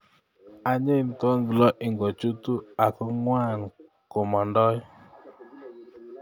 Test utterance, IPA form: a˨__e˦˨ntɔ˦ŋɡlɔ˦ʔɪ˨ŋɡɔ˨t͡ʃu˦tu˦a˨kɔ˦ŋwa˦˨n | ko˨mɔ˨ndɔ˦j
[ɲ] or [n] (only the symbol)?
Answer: ɲ